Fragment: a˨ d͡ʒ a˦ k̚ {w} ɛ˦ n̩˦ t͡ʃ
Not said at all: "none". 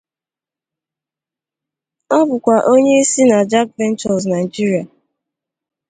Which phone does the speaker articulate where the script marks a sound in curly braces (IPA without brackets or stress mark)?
v